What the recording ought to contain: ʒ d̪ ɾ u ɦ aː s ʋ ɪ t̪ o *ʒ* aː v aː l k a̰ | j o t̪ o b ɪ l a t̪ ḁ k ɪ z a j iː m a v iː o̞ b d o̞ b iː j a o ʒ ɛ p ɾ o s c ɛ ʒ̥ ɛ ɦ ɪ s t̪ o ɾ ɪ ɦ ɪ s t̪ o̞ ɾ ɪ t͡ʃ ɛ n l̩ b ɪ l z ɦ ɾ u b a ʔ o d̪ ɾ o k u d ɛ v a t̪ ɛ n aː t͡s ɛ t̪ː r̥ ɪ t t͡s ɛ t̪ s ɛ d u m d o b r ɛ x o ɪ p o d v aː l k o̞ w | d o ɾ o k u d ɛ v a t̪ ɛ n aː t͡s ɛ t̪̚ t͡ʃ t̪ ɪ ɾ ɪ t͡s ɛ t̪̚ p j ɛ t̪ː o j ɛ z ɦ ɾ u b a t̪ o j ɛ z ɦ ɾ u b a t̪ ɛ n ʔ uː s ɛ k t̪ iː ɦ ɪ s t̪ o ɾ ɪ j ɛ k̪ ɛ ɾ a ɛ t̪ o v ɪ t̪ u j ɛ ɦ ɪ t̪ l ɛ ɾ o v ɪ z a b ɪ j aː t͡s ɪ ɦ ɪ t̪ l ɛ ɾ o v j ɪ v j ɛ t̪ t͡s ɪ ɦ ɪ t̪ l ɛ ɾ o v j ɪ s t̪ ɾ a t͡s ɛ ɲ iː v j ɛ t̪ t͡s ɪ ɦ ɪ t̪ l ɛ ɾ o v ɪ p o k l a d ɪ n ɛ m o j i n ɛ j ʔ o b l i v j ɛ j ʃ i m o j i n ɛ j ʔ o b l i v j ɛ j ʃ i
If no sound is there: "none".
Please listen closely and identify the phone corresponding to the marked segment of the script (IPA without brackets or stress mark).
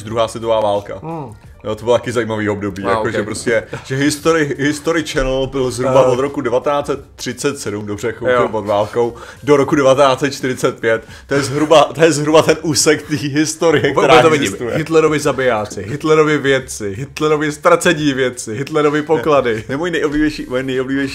v